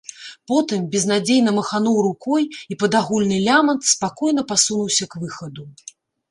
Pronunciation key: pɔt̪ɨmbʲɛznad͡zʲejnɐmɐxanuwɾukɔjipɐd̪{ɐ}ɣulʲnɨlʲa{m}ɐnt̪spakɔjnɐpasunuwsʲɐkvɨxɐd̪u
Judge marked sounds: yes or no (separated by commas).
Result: no, yes